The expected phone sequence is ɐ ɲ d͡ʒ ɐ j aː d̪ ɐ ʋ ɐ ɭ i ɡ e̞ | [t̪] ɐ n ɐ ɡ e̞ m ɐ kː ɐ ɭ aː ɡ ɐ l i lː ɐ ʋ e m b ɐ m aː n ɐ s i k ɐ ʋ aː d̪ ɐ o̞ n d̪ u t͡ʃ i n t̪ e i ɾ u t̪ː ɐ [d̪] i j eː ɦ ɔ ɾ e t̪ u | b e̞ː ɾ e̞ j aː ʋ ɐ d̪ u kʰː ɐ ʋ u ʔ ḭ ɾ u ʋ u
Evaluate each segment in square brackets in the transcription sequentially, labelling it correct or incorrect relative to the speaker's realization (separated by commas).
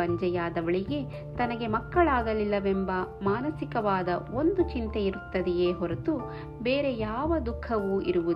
correct, correct